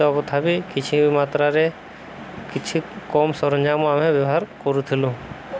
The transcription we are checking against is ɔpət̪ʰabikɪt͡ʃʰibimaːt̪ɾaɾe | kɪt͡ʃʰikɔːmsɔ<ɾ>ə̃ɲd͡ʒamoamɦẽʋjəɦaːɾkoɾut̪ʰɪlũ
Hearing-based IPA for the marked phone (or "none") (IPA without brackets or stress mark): ɾ